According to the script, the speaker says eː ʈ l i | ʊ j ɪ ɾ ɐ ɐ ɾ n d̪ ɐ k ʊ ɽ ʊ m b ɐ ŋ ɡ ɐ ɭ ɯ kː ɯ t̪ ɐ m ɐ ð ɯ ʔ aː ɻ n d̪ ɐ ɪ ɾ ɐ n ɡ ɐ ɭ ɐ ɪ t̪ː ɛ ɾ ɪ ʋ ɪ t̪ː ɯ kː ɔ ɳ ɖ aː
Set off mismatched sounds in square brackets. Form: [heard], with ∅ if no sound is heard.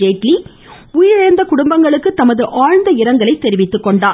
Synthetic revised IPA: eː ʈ l i | ʊ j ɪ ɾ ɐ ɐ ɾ n d̪ ɐ k ʊ ɽ ʊ m b ɐ ŋ ɡ ɐ ɭ ɯ kː ɯ t̪ ɐ m ɐ ð ɯ ʔ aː ɻ n d̪ ɐ ɪ ɾ ɐ [ŋ] ɡ ɐ ɭ ɐ ɪ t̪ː ɛ ɾ ɪ ʋ ɪ t̪ː ɯ kː ɔ ɳ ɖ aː